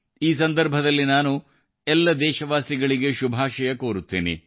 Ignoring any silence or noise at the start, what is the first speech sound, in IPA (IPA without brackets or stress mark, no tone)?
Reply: iː